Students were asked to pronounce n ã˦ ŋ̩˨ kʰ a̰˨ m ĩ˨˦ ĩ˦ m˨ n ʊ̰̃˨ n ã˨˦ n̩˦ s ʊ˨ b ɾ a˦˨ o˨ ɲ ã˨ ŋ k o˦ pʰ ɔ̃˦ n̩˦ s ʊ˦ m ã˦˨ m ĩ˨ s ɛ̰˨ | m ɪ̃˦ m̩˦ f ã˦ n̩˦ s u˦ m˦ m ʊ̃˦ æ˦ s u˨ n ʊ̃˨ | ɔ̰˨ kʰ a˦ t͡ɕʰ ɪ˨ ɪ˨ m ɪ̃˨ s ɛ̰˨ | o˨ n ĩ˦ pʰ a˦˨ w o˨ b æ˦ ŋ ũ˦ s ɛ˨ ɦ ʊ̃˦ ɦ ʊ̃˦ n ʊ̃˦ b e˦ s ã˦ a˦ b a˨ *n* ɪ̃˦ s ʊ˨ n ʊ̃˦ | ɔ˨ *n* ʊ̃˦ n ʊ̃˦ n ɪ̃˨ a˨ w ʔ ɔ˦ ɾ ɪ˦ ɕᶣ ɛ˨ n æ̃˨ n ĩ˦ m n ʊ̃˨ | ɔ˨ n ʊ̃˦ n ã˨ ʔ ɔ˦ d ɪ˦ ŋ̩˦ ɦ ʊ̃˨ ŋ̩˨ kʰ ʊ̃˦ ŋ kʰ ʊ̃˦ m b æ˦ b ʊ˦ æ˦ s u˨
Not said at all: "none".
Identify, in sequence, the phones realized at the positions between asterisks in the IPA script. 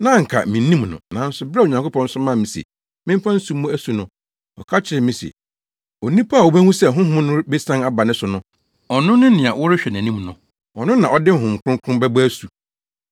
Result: n, n

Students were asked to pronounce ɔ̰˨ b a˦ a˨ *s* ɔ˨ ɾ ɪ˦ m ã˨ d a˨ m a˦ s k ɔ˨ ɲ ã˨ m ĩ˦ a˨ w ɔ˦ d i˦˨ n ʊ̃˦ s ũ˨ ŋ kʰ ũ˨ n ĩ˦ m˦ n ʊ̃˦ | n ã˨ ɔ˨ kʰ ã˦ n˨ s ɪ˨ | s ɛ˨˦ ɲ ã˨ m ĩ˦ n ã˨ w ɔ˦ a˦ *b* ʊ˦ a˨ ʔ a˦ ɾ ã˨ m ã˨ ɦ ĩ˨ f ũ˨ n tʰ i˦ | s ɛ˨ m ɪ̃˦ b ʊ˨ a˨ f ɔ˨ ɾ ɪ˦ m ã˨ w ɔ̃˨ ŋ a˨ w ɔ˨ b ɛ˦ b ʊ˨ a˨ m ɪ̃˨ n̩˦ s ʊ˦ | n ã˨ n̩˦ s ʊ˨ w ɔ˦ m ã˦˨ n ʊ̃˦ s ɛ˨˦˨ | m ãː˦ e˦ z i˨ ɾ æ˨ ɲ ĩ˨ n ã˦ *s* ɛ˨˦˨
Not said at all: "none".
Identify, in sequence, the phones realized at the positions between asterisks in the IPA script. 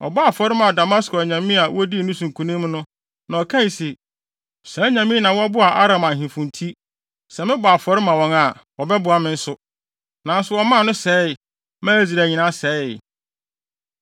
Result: f, b, s

